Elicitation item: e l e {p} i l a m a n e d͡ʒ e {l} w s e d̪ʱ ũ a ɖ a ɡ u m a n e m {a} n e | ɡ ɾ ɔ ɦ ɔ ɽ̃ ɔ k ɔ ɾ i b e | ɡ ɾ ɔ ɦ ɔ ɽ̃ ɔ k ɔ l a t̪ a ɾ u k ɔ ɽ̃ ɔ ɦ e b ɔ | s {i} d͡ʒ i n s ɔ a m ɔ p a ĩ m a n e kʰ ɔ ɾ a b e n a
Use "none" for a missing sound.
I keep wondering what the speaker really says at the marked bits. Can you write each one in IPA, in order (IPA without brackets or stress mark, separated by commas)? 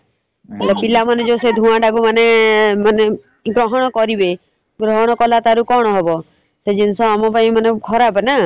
p, none, a, e